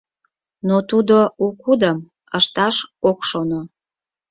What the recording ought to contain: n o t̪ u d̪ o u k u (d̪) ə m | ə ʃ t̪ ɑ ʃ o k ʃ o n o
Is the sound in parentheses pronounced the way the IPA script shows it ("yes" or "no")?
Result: yes